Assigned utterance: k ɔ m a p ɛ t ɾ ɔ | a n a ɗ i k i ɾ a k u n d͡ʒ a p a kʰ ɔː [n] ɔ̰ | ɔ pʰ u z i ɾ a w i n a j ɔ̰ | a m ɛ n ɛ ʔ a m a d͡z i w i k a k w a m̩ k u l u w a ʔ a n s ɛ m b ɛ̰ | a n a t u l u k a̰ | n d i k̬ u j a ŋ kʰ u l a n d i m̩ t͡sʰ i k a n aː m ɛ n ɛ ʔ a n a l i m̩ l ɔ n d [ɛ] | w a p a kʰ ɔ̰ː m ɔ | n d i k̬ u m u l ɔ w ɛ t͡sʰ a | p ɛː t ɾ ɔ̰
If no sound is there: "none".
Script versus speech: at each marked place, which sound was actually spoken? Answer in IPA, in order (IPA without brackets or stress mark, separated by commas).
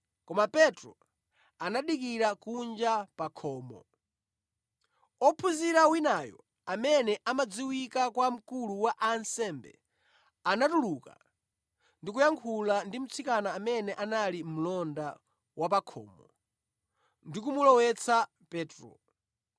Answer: m, a